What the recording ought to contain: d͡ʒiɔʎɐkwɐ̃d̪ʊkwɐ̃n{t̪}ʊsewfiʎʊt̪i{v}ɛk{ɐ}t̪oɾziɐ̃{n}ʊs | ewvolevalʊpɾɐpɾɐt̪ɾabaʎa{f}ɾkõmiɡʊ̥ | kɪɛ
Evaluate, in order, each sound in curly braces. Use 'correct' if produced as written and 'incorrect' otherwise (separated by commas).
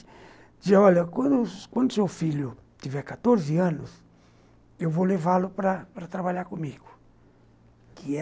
incorrect, correct, incorrect, correct, incorrect